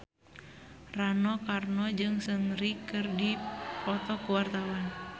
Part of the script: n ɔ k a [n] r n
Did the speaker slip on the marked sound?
yes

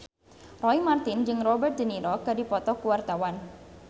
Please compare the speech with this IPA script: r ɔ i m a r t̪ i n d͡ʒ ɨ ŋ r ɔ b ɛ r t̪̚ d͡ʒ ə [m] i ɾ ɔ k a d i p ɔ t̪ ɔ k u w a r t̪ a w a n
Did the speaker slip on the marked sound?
yes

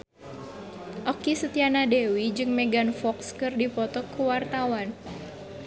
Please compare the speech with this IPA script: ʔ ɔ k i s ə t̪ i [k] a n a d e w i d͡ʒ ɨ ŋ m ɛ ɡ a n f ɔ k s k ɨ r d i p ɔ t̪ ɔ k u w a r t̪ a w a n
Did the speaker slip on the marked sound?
yes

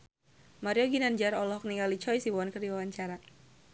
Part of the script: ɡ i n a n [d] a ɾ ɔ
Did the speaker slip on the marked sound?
yes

